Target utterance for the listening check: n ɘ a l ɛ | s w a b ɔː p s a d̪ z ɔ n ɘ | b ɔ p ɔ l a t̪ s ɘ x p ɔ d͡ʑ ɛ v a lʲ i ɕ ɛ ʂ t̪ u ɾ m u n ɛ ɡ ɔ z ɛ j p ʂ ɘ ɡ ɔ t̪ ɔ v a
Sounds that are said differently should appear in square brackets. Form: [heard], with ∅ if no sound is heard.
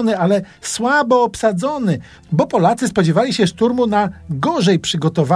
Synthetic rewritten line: n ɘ a l ɛ | s w a b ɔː p s a d̪ z ɔ n ɘ | b ɔ p ɔ l a t̪ s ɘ [s] p ɔ d͡ʑ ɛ v a lʲ i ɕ ɛ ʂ t̪ u ɾ m u n [a] ɡ ɔ [ʐ] ɛ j p ʂ ɘ ɡ ɔ t̪ ɔ v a